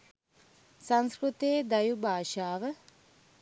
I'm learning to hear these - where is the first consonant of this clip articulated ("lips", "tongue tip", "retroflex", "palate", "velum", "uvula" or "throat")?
tongue tip